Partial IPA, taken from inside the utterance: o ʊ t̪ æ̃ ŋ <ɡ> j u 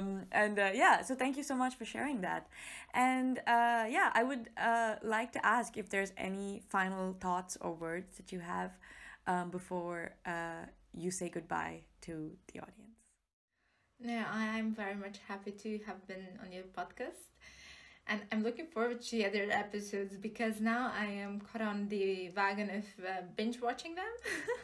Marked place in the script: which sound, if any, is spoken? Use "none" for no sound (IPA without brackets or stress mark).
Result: k